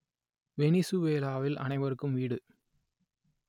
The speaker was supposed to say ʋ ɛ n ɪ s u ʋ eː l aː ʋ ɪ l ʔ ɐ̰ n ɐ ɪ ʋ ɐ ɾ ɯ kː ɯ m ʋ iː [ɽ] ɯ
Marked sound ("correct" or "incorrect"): correct